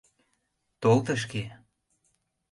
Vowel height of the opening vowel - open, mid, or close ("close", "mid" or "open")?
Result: mid